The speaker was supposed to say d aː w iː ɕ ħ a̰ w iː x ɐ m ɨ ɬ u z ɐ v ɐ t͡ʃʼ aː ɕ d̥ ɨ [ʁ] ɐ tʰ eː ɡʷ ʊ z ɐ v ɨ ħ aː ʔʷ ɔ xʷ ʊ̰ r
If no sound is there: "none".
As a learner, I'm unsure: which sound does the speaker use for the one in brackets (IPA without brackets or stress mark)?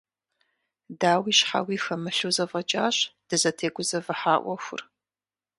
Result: z